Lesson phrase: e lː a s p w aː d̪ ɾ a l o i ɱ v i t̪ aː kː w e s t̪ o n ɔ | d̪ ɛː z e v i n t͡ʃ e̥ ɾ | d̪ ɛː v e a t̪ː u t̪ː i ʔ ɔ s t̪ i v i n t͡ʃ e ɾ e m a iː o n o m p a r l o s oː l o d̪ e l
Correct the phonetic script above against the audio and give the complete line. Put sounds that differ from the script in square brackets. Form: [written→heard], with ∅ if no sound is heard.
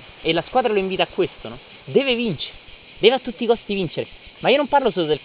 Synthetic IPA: e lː a s [p→k] w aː d̪ ɾ a l o i ɱ v i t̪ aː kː w e s t̪ o n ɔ | d̪ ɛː [z→v] e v i n t͡ʃ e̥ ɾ | d̪ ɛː v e a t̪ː u t̪ː i [ʔ→k] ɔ s t̪ i v i n t͡ʃ e ɾ e m a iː o n o m p a r l o s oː l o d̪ e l